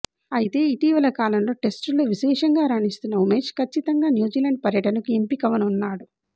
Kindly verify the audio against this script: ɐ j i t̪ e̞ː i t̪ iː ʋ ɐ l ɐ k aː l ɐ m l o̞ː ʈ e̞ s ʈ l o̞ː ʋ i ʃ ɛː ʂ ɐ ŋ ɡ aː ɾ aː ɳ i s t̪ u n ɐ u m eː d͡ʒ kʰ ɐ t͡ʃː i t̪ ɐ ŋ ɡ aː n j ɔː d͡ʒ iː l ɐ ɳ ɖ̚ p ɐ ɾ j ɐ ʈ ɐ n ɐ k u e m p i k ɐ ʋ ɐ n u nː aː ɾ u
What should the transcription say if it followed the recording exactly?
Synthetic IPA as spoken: ɐ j i t̪ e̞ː i t̪ iː ʋ ɐ l ɐ k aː l ɐ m l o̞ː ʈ e̞ s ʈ l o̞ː ʋ i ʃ ɛː ʂ ɐ ŋ ɡ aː ɾ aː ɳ i s t̪ u nː ɐ u m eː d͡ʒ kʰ ɐ t͡ʃː i t̪ ɐ ŋ ɡ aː n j uː d͡ʒ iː l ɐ ɳ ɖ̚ p ɐ ɾ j ɐ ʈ ɐ n ɐ k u e m p i k ɐ ʋ ɐ n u nː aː ɽ u